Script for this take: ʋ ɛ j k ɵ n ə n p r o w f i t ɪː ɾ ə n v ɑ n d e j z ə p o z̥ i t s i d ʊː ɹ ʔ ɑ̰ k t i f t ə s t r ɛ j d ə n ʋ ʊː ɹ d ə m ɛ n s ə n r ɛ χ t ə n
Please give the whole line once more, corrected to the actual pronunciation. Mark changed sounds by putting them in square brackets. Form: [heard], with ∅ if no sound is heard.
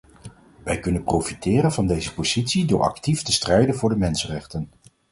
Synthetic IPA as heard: ʋ ɛ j k ɵ n ə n p r o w f i t ɪː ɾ ə n v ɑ n d e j z ə p o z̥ i t s i d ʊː ɹ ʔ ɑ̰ k t i f t ə s t r ɛ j d ə n [v] ʊː ɹ d ə m ɛ n s ə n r ɛ χ t ə n